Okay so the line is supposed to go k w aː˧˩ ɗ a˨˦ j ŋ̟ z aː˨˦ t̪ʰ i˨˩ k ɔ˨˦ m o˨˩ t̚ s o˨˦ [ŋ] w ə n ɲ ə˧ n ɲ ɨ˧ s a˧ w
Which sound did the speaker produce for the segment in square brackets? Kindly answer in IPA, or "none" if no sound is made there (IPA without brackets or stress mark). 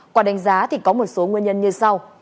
ŋ